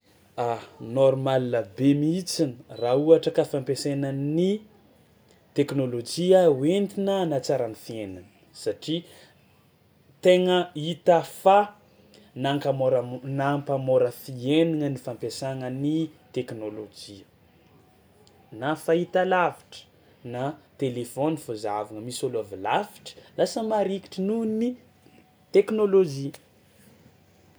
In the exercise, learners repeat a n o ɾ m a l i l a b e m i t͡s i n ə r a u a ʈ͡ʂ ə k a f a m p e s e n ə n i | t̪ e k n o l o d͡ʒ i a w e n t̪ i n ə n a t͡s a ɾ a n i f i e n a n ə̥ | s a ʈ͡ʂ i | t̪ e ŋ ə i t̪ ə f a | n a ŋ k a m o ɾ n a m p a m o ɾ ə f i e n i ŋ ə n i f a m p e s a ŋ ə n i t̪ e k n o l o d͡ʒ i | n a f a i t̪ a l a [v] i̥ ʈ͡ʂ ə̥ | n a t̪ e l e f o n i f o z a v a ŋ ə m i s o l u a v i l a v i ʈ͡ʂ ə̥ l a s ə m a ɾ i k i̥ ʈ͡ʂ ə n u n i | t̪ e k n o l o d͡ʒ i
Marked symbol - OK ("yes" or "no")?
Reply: yes